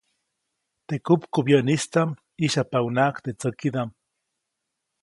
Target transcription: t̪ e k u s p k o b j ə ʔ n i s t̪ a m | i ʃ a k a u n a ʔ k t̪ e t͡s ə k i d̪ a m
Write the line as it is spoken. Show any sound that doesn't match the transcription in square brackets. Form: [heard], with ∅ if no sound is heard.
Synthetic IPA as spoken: t̪ e k u [∅] p k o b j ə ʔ n i s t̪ a m | i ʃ a [p] a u n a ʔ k t̪ e t͡s ə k i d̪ a m